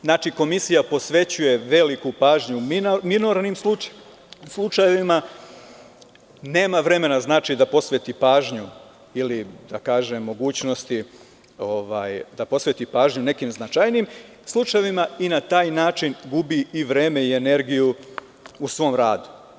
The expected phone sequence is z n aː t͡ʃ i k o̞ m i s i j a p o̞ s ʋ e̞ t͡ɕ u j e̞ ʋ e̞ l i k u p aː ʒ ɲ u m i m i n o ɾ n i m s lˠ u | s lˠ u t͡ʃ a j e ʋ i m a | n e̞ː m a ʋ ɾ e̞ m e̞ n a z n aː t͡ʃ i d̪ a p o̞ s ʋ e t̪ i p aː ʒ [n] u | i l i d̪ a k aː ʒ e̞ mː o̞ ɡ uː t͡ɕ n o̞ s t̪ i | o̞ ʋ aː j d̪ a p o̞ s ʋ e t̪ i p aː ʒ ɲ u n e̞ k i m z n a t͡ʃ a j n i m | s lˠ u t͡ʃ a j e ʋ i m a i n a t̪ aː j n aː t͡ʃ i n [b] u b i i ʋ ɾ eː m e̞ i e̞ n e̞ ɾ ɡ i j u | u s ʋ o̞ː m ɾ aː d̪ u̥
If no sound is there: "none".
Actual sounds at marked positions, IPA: ɲ, ɡ

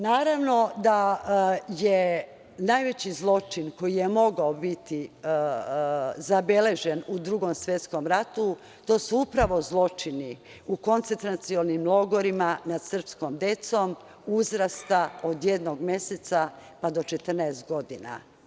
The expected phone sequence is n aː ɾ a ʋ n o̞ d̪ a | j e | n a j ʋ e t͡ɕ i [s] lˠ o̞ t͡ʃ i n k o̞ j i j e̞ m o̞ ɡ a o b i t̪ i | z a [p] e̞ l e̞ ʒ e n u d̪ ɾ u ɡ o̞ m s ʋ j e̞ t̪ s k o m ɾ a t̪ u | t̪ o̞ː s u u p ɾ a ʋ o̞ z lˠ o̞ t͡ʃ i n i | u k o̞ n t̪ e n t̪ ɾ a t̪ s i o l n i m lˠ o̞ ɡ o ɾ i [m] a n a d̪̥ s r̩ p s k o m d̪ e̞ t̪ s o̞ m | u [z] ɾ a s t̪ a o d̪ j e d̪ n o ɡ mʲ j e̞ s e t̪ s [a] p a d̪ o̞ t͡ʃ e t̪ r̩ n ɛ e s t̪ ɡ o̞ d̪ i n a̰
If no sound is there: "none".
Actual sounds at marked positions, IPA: z, b, m, z, a

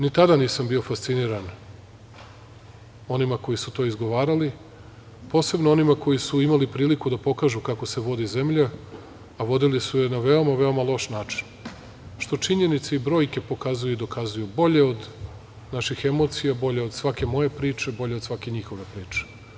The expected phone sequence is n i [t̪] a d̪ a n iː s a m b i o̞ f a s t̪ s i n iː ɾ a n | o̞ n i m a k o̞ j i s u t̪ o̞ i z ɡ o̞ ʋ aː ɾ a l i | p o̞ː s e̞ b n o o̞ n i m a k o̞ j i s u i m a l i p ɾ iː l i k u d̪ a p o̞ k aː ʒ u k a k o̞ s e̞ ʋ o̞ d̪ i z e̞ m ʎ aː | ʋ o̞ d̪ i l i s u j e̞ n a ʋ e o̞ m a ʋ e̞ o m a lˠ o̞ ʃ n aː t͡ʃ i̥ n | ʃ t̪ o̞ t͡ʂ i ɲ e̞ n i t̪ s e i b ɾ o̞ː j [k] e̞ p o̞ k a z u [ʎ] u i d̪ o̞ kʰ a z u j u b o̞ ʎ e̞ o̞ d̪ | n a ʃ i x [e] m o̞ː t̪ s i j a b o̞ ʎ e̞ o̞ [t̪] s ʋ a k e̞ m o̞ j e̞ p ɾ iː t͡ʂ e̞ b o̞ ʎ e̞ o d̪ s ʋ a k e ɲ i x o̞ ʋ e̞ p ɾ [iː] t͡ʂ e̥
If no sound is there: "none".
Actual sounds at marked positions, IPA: t̪, k, j, e, d̪, iː

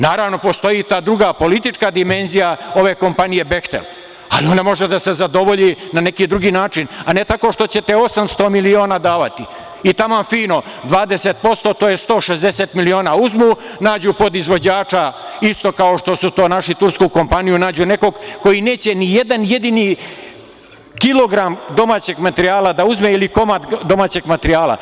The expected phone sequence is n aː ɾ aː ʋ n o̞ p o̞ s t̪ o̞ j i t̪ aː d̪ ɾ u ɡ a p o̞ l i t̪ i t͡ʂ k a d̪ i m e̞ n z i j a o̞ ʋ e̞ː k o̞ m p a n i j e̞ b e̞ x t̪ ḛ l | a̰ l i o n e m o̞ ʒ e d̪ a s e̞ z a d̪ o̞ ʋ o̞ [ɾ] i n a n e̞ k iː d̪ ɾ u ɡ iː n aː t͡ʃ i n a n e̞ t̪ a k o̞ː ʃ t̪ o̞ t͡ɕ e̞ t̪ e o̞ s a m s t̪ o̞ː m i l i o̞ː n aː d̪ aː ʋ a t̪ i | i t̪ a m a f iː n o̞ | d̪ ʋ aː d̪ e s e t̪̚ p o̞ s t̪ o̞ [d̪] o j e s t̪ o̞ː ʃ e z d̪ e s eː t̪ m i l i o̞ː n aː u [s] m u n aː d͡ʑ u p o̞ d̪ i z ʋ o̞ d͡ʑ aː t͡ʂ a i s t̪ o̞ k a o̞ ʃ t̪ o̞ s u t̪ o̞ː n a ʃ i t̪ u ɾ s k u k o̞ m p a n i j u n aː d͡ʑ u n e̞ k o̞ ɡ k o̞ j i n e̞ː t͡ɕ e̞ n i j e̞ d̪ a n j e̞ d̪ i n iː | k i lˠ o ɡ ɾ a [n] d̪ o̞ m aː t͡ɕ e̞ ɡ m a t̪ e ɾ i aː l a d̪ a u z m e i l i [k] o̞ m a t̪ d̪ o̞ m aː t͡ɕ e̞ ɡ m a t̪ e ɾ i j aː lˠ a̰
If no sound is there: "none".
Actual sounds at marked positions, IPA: ʎ, t̪, z, m, k

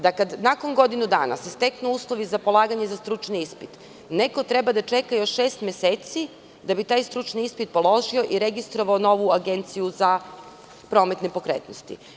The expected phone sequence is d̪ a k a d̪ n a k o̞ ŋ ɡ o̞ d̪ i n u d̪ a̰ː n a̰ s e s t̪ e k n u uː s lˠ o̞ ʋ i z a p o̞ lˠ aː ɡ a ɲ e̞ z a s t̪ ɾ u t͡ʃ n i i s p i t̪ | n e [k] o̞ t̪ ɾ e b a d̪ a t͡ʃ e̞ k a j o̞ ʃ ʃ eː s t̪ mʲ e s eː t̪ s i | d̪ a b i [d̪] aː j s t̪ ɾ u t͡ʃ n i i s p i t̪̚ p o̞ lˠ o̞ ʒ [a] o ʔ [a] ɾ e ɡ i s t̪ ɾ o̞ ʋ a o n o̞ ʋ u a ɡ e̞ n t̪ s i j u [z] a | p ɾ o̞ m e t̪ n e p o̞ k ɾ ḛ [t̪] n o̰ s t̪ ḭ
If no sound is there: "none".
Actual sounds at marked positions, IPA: k, t̪, i, i, z, t̪

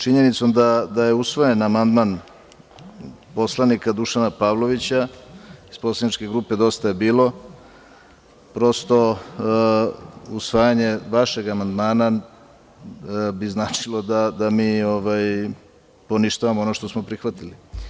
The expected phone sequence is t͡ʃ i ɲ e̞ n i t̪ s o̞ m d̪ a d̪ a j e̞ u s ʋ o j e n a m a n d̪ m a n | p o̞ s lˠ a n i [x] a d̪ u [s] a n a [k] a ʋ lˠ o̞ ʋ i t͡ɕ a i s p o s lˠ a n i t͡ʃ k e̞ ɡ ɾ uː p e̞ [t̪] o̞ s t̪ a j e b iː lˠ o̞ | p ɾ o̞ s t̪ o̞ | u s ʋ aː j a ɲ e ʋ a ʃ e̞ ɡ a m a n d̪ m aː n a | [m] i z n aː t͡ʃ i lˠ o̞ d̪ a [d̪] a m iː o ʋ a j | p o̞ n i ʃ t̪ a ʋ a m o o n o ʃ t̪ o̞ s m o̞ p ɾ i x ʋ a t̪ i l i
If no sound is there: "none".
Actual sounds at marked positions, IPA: k, ʃ, p, d̪, b, d̪

